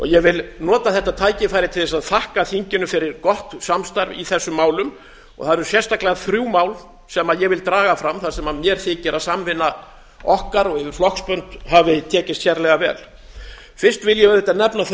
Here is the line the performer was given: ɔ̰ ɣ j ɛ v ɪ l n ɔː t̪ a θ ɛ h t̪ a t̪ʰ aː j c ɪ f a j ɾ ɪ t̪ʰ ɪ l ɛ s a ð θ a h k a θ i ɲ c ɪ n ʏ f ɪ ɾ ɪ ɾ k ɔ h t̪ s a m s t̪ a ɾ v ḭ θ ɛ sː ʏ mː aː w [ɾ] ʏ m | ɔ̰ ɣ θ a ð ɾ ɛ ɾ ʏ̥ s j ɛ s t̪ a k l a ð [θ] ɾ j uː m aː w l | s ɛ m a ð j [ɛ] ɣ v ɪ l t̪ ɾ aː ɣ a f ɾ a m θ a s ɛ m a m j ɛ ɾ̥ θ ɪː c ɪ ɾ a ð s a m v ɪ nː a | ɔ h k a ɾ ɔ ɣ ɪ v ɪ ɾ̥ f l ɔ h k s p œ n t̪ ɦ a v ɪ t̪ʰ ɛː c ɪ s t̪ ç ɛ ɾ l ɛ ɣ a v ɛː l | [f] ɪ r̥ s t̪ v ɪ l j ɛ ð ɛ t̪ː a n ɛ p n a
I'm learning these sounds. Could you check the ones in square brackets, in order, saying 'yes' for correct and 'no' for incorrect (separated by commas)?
no, yes, yes, yes